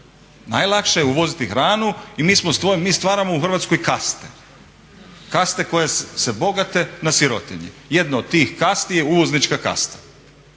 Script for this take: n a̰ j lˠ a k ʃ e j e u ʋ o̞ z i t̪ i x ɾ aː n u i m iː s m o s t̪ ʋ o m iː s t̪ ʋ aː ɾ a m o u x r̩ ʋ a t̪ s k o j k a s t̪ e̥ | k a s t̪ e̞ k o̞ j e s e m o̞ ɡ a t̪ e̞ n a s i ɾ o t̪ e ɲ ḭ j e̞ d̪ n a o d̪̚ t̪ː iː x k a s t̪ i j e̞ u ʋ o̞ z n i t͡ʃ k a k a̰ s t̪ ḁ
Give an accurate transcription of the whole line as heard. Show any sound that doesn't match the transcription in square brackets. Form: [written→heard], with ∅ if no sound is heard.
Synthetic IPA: n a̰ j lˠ a k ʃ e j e u ʋ o̞ z i t̪ i x ɾ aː n u i m iː s m o s t̪ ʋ o m iː s t̪ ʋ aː ɾ a m o u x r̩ ʋ a t̪ s k o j k a s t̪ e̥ | k a s t̪ e̞ k o̞ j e s e [m→b] o̞ ɡ a t̪ e̞ n a s i ɾ o t̪ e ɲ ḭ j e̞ d̪ n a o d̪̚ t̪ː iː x k a s t̪ i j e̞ u ʋ o̞ z n i t͡ʃ k a k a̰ s t̪ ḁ